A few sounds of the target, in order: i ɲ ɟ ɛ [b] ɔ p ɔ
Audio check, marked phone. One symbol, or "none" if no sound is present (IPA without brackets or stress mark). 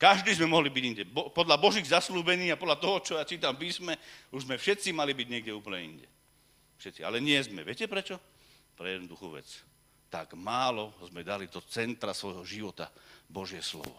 b